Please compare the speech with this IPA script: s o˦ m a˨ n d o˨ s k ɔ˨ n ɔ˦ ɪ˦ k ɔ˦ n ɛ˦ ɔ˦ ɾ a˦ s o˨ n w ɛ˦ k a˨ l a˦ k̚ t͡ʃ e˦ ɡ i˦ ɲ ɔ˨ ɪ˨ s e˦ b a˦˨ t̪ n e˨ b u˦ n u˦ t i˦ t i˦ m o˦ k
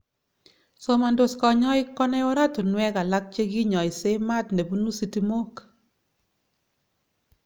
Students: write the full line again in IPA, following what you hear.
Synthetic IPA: s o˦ m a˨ n d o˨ s k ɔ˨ ɲ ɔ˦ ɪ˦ k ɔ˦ n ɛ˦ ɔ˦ ɾ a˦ t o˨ n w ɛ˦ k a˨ l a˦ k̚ t͡ʃ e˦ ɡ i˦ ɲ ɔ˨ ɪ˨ s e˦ m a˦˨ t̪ n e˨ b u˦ n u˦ s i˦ t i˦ m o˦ k